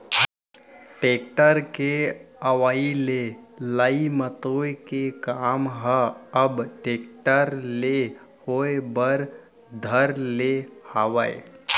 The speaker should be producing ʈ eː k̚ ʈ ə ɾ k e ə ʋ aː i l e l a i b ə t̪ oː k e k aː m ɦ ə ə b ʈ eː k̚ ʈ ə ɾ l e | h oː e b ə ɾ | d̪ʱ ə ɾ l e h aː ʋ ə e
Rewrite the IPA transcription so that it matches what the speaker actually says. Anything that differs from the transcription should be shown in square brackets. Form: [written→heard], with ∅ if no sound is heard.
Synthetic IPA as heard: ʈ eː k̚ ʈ ə ɾ k e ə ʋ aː i l e l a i [b→m] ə t̪ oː k e k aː m ɦ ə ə b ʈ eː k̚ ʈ ə ɾ l e | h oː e b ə ɾ | d̪ʱ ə ɾ l e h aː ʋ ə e